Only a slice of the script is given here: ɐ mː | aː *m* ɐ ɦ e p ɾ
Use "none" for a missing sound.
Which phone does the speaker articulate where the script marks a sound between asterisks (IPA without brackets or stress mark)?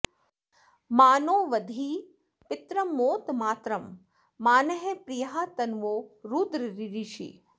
n